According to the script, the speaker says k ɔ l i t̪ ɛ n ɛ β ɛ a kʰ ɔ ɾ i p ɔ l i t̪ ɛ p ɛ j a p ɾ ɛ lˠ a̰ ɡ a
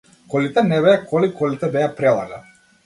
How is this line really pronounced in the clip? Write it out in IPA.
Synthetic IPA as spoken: k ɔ l i t̪ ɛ n ɛ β ɛ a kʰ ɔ l i k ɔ l i t̪ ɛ b ɛ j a p ɾ ɛ lˠ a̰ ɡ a